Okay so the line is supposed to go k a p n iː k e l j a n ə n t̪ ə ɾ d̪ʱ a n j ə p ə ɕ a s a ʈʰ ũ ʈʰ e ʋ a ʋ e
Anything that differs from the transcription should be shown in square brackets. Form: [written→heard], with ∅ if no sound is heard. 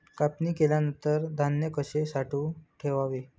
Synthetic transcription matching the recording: k a p n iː k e l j a n ə n t̪ ə ɾ d̪ʱ a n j ə [p→k] ə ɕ [a→e] s a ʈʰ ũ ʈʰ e ʋ a ʋ e